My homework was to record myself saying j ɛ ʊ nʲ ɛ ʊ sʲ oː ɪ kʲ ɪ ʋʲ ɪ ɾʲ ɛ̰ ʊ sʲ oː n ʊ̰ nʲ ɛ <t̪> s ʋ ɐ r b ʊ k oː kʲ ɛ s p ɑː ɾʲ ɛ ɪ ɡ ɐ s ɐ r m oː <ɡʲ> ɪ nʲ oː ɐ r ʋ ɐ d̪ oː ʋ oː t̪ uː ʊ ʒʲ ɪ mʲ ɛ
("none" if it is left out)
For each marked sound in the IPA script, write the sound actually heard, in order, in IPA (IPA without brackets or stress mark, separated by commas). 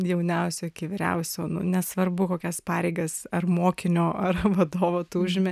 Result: none, kʲ